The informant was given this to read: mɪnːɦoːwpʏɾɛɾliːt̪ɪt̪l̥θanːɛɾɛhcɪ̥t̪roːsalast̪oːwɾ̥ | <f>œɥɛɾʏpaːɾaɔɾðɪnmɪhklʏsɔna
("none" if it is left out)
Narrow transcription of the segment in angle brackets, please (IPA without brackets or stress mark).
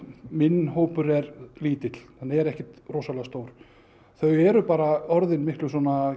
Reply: θ